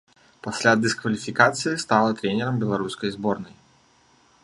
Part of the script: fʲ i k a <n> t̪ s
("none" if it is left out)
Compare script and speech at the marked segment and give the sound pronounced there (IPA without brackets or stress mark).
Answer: none